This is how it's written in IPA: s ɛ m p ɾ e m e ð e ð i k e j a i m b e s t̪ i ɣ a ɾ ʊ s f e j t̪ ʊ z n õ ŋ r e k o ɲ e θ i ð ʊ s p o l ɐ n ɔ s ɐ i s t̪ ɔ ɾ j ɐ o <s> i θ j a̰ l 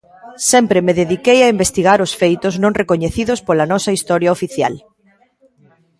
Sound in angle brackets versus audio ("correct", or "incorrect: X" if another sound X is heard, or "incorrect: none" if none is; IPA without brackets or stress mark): incorrect: f